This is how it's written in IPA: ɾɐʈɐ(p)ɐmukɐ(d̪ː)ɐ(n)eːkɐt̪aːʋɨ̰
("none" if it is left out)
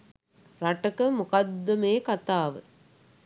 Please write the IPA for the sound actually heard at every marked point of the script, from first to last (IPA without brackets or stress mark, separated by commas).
k, d̪ː, m